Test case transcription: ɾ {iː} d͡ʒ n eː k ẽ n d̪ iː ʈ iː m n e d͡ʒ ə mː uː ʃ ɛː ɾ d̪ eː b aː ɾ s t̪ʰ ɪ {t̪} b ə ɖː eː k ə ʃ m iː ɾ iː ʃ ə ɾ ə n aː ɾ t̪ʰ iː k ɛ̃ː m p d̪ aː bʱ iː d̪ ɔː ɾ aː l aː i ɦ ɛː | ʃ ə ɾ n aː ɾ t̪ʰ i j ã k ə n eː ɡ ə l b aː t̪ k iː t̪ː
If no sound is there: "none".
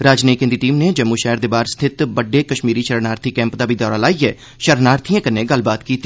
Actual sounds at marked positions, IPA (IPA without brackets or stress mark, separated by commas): aː, t̪